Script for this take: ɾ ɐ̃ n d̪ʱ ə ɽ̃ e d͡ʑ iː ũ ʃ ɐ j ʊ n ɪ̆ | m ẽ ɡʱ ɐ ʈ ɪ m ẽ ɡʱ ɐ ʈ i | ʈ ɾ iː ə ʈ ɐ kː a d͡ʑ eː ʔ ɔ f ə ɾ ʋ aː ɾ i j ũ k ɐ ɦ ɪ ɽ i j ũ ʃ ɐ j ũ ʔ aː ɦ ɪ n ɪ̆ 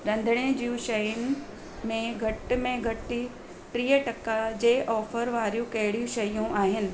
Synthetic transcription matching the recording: ɾ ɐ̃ n d̪ʱ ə ɽ̃ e d͡ʑ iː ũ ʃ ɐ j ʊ n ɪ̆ | m ẽ ɡʱ ɐ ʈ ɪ m ẽ ɡʱ ɐ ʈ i | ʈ ɾ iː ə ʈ ɐ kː a d͡ʑ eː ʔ ɔː f ə ɾ ʋ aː ɾ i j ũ k ɐ ɦ ɪ ɽ i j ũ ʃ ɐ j ũ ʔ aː ɦ ɪ n ɪ̆